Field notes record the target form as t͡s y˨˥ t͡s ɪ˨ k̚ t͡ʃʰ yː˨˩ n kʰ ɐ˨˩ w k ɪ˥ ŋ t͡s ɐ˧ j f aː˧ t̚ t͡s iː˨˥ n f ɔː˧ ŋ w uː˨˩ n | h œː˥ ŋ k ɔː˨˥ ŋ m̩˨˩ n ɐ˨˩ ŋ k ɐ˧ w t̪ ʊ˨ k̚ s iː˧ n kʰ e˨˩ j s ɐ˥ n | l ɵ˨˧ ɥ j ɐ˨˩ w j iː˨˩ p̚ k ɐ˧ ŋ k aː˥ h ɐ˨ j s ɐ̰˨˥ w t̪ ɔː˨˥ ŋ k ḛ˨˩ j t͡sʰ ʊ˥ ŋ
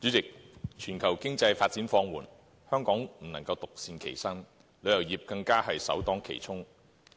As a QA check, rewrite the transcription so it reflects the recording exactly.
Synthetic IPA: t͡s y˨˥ t͡s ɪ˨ k̚ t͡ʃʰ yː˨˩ n kʰ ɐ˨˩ w k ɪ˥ ŋ t͡s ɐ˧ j f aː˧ t̚ t͡s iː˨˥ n f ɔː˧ ŋ w uː˨˩ n | h œː˥ ŋ k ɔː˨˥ ŋ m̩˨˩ n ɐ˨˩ ŋ k ɐ˧ w t̪ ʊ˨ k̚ s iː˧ n kʰ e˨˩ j s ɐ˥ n | l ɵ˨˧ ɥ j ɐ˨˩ w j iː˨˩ p̚ k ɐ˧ ŋ k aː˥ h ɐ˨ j s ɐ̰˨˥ w t̪ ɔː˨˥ ŋ kʰ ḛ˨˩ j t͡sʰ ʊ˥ ŋ